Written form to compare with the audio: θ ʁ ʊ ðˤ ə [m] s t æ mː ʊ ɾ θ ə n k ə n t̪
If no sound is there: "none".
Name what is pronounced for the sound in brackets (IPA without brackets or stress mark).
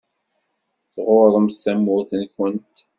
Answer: m